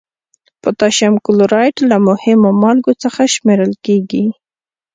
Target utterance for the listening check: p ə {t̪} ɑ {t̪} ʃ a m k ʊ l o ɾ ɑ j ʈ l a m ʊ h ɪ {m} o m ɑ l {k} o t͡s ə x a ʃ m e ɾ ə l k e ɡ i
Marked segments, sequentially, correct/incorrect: correct, incorrect: none, correct, incorrect: ɡ

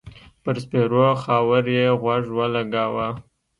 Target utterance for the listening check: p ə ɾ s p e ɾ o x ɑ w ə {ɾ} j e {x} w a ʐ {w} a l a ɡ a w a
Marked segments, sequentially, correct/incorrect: correct, incorrect: ɣ, correct

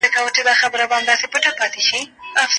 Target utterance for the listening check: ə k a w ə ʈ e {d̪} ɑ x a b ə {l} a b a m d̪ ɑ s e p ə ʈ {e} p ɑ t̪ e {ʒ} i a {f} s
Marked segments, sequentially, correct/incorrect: correct, incorrect: ɾ, incorrect: a, incorrect: ʃ, correct

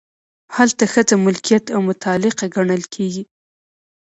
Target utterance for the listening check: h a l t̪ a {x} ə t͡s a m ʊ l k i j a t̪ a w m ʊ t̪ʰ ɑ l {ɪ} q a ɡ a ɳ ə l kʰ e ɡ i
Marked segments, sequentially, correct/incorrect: correct, correct

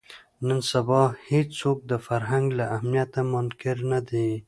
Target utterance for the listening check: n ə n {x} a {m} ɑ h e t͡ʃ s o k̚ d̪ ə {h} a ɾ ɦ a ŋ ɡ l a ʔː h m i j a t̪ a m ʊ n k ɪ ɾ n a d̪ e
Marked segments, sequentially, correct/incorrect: incorrect: s, incorrect: b, incorrect: f

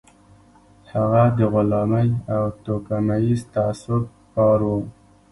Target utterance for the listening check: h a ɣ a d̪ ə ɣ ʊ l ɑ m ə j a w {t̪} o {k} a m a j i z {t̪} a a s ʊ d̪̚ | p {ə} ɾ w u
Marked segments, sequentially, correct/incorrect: correct, correct, correct, incorrect: ɑ

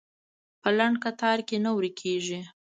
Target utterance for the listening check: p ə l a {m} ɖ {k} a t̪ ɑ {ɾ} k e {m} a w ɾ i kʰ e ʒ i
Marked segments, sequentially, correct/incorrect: incorrect: ɳ, correct, correct, incorrect: n

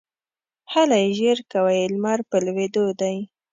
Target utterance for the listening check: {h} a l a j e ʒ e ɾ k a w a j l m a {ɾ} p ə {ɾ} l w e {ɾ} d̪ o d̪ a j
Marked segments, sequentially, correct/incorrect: correct, correct, incorrect: none, incorrect: none

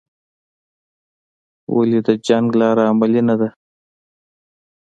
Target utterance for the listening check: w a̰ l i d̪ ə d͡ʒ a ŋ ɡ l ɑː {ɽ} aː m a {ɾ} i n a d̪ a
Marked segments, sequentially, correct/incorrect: incorrect: ɾ, incorrect: l

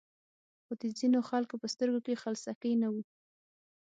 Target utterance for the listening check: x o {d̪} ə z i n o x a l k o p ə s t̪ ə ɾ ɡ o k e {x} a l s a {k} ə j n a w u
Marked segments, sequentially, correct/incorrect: correct, correct, correct

